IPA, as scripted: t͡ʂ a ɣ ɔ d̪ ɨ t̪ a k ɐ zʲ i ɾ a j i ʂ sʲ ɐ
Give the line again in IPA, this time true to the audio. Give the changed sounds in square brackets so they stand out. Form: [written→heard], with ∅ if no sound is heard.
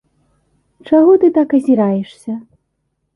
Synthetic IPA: t͡ʂ a ɣ ɔ [d̪→t̪] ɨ t̪ a k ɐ zʲ i ɾ a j [i→ɛ] ʂ sʲ ɐ